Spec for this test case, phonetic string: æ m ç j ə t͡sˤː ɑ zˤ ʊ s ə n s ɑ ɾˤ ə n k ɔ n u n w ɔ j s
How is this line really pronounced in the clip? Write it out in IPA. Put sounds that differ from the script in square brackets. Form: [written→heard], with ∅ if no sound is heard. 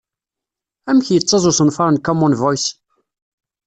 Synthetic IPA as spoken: æ m ç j ə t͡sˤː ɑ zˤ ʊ s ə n [s→f] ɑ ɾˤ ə n k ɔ [n→m] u n [w→v] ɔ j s